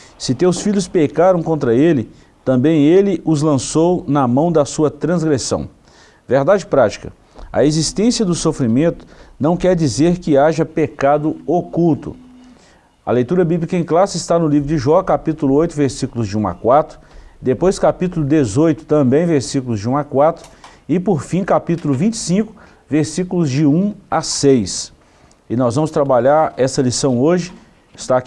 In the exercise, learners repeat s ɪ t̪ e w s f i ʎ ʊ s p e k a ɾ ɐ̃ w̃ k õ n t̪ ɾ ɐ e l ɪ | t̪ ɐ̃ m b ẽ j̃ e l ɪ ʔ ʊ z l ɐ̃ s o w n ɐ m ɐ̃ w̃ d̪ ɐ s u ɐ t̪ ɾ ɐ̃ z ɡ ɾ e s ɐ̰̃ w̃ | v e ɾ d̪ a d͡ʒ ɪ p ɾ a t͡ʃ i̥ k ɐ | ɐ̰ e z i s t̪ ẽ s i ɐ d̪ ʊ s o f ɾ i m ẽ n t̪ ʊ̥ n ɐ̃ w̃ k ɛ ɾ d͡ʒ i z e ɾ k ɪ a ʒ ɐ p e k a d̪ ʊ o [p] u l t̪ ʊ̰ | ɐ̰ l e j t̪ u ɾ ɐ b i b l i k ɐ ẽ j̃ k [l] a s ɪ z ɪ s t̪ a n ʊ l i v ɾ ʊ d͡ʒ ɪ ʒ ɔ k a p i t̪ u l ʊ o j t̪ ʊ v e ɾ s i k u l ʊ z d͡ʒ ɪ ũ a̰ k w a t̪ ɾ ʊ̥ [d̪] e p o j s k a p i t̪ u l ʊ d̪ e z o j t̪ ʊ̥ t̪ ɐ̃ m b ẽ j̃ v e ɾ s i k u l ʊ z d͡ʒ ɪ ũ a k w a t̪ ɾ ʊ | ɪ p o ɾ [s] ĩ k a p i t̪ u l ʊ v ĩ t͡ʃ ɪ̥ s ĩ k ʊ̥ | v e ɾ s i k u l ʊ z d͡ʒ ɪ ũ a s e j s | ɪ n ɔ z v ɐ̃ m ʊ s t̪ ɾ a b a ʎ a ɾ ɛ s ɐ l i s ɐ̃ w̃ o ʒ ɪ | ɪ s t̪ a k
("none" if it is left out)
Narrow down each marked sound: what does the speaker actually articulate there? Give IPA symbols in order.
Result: k, l, d̪, f

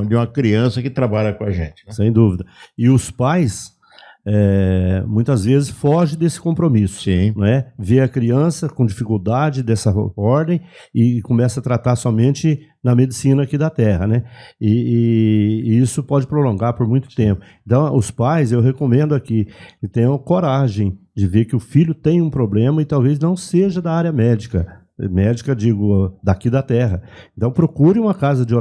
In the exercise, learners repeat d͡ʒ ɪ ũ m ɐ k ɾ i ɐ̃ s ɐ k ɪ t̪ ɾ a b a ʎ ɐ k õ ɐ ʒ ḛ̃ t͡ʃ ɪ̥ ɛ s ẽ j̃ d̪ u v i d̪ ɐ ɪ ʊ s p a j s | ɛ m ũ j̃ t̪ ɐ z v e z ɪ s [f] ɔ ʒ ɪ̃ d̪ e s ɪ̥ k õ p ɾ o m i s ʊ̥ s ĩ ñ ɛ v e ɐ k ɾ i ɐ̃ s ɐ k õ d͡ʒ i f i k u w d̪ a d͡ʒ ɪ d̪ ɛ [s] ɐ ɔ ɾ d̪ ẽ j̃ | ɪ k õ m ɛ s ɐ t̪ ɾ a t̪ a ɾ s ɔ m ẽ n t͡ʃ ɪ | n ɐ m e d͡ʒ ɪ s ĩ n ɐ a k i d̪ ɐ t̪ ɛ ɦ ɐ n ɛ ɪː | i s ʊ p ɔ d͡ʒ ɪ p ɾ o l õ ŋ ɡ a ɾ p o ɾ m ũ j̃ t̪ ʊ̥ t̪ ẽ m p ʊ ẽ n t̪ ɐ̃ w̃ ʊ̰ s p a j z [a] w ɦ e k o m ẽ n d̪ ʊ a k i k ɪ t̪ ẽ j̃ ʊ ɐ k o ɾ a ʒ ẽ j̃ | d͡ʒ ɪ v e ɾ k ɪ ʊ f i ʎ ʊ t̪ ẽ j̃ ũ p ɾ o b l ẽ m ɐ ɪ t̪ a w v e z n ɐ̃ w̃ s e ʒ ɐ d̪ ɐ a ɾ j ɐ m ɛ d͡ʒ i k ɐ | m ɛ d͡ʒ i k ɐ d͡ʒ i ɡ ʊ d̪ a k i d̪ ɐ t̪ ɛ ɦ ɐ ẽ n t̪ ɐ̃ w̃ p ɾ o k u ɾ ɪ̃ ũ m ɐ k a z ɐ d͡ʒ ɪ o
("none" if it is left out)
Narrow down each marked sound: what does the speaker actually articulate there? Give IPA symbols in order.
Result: f, s, e

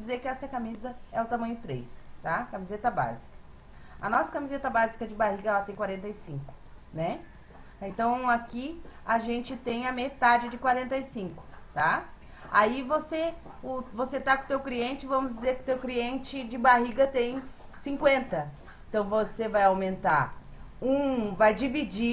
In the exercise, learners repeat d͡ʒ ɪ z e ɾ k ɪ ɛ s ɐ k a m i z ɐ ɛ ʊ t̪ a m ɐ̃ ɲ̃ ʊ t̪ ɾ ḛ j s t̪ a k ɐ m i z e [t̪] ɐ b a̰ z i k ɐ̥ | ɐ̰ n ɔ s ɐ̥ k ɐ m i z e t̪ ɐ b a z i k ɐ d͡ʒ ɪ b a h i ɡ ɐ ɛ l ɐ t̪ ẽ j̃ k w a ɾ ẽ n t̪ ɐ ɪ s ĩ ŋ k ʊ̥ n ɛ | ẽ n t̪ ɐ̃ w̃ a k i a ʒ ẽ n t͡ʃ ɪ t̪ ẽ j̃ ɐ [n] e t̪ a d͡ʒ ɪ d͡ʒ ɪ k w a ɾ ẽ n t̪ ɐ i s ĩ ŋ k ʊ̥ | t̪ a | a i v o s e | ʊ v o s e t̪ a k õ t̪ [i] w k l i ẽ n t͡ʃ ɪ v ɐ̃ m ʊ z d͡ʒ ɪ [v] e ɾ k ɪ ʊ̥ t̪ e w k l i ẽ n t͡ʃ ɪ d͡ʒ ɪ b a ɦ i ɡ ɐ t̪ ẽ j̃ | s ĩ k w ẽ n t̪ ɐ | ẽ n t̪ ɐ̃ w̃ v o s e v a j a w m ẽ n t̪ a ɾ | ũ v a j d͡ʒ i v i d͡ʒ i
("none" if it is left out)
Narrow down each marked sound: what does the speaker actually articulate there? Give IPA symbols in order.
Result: t̪, m, e, z

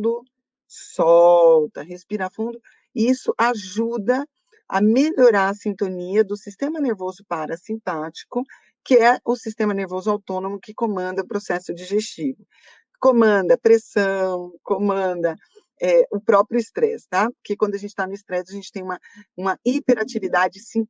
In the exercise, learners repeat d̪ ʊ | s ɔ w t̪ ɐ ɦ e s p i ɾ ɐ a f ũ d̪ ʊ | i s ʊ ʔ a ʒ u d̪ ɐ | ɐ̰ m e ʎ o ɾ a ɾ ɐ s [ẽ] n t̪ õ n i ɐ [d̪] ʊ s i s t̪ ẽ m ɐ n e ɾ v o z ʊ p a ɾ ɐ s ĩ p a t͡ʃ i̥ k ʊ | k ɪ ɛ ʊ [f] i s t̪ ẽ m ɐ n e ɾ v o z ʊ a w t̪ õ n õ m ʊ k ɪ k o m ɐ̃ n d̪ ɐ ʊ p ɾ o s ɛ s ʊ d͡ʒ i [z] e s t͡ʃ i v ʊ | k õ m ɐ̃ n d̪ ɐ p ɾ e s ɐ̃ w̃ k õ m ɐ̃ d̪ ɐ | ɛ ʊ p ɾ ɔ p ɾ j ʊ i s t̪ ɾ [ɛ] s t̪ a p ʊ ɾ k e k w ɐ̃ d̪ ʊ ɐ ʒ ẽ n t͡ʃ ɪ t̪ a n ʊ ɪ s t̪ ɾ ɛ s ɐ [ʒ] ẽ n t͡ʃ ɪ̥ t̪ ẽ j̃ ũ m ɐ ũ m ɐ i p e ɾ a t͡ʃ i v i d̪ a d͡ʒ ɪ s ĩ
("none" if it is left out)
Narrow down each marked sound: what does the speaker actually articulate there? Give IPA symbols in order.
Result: ĩ, d̪, s, ʒ, ɛ, ʒ

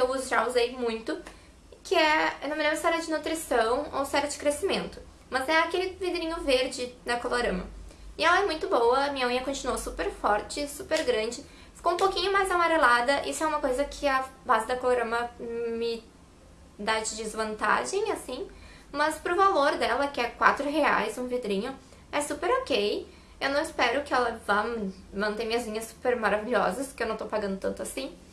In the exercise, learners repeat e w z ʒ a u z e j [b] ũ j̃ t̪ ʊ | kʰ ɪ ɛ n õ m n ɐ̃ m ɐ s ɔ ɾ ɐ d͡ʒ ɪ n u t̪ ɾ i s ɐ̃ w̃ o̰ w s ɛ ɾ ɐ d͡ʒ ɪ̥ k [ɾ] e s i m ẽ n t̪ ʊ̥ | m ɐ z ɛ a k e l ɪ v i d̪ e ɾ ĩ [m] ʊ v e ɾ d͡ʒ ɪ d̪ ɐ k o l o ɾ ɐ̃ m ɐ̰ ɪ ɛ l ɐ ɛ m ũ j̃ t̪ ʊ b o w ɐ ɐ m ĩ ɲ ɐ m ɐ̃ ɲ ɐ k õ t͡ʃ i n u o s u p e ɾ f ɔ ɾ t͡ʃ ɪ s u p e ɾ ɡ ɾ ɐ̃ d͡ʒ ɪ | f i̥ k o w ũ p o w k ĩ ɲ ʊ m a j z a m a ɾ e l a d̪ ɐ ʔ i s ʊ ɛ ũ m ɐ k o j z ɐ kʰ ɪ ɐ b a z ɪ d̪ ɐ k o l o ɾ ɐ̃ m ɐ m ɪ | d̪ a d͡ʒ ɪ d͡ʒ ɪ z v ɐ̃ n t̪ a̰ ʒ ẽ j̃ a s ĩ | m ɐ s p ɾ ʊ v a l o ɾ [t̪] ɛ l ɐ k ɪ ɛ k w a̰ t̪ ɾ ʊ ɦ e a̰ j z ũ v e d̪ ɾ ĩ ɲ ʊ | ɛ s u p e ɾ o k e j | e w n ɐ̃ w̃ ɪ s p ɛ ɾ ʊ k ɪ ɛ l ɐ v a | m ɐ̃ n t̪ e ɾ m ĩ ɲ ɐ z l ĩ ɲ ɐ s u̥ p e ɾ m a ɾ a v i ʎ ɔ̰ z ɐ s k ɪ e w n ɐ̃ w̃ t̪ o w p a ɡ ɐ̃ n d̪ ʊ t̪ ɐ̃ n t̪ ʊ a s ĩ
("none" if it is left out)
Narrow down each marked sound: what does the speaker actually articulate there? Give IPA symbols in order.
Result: m, ɾ, ɲ, d̪

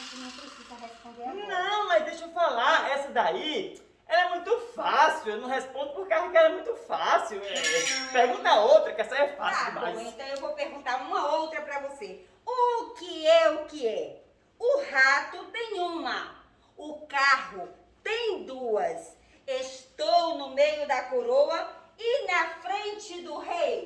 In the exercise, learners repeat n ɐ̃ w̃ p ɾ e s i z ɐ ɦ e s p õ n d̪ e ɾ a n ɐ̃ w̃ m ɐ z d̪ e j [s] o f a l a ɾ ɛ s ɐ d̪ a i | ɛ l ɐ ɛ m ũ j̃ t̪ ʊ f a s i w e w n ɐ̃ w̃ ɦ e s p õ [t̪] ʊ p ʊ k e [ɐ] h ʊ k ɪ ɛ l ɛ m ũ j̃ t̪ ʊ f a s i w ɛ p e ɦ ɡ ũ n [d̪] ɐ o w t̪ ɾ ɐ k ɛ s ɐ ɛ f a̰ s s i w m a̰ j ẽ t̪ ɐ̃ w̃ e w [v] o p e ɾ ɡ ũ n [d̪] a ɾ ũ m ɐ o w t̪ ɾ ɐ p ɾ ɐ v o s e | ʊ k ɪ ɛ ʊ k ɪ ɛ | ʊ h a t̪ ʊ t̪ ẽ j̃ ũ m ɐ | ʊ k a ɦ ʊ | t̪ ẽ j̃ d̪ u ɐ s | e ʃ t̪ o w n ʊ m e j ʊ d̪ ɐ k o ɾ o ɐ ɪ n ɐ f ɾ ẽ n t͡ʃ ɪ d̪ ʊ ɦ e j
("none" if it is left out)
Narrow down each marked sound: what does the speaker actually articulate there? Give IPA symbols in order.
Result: ʃ, d̪, a, t̪, v, t̪

